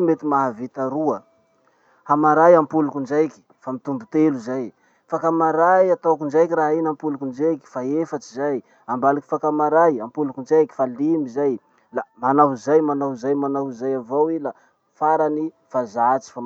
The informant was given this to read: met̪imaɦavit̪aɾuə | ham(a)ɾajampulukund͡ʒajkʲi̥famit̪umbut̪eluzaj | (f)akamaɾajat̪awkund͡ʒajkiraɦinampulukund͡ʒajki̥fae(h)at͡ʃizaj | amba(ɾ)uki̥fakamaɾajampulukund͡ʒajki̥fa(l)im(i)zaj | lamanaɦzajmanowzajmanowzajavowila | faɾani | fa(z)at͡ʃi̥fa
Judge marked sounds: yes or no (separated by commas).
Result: yes, yes, no, no, yes, yes, yes